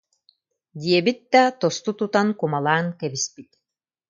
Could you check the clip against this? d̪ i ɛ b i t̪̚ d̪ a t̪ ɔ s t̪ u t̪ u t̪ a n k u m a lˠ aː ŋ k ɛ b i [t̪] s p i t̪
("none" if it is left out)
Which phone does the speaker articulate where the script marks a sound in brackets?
none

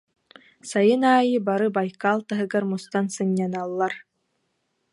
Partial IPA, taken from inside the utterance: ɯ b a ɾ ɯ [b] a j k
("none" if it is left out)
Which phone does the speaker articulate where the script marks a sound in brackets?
b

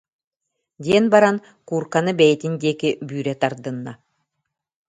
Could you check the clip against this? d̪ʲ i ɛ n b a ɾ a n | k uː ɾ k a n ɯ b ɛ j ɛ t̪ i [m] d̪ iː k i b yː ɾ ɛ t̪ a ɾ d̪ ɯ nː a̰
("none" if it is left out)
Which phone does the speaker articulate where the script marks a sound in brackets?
n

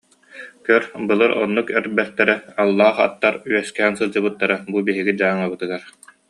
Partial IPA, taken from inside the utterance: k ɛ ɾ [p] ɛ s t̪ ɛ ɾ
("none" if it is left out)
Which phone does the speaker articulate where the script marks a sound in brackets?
b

